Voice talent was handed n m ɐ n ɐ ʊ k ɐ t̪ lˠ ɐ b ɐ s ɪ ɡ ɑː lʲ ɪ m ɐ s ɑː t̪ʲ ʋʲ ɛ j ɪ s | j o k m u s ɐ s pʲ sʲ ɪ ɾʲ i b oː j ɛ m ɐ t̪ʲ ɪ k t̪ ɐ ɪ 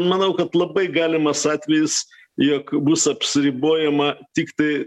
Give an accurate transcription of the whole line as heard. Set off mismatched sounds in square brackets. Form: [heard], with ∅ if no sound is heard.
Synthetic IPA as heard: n m ɐ n ɐ ʊ k ɐ t̪ lˠ ɐ b ɐ [∅] ɪ ɡ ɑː lʲ ɪ m ɐ s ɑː t̪ʲ ʋʲ ɛ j ɪ s | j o k [b] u s ɐ [∅] pʲ sʲ ɪ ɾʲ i b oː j ɛ m ɐ t̪ʲ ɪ k t̪ ɐ ɪ